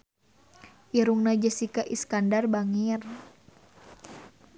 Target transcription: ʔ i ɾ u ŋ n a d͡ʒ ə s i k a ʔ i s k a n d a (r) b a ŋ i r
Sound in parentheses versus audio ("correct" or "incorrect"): correct